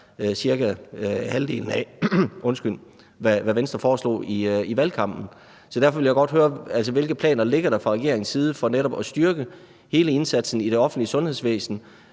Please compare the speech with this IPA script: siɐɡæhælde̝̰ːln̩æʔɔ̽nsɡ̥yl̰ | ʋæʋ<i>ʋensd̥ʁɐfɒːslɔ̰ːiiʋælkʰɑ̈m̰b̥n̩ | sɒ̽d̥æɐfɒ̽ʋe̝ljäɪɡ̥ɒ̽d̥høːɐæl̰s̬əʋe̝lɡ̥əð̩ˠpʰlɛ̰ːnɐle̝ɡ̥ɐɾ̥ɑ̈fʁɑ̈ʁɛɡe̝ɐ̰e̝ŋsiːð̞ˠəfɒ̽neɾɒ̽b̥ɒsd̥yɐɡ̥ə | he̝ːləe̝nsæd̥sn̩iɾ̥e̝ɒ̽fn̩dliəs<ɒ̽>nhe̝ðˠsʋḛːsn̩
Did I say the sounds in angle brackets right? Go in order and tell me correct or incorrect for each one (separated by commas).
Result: incorrect, incorrect